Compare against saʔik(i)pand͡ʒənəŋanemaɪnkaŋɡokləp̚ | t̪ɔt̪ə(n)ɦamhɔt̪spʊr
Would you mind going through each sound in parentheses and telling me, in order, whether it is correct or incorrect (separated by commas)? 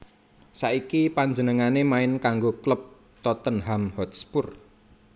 correct, correct